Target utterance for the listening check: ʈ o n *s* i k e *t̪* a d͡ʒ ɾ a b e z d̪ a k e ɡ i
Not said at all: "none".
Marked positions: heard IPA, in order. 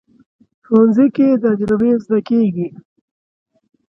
z, d̪

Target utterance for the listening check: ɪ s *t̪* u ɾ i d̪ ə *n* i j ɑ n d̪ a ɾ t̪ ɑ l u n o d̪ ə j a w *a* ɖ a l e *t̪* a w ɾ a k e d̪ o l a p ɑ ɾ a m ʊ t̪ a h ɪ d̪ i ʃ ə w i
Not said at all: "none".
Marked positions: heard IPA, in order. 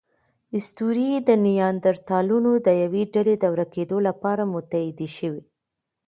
t̪, n, e, d̪

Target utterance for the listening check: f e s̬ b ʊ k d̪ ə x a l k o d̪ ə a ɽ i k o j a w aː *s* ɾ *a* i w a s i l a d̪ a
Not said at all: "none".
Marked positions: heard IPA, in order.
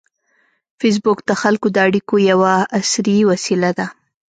s, i

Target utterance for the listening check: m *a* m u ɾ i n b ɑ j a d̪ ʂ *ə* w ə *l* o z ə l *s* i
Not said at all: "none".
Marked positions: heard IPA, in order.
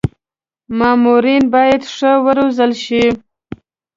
ɑ, ə, ɾ, ʃ

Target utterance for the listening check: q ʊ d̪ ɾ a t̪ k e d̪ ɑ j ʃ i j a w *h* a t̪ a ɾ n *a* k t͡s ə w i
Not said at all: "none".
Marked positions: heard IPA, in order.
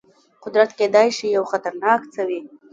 x, ɑ

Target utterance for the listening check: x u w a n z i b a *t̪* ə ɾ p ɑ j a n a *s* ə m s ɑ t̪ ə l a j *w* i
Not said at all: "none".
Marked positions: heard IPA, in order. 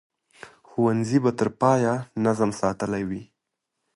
t̪, z, w

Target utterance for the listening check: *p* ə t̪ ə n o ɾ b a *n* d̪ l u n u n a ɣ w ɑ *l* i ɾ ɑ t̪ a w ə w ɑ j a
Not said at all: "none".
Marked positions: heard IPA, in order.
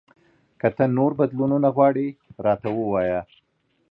k, none, ɽ

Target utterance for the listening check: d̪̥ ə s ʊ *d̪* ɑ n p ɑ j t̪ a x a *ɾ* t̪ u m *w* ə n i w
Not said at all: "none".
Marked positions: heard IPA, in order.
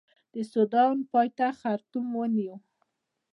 d̪, ɾ, w

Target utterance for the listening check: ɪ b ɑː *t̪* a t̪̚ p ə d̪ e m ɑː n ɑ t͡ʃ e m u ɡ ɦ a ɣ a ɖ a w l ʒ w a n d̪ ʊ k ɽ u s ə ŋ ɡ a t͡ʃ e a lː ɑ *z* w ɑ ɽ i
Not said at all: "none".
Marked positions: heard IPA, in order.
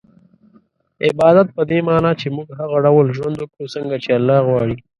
d̪, ɣ

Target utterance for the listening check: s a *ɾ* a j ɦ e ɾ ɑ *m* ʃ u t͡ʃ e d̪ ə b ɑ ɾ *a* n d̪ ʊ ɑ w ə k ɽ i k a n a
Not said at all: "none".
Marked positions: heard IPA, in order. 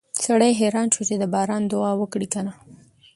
ɽ, n, ɑ

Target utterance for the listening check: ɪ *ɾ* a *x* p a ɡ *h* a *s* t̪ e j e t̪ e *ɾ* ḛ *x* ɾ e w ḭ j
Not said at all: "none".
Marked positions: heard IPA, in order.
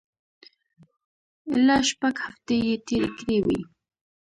l, ʃ, h, f, ɾ, k

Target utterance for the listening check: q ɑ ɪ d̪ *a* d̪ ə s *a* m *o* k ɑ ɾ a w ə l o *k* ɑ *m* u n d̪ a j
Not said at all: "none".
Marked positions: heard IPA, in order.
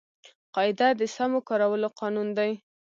a, a, o, q, n

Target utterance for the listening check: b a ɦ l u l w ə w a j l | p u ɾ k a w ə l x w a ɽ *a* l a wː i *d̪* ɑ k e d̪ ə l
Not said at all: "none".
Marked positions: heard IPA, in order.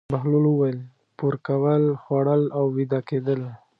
ə, d̪

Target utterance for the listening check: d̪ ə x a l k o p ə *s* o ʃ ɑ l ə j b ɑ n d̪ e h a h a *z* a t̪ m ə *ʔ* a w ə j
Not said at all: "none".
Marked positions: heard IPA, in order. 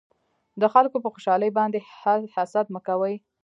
x, s, k

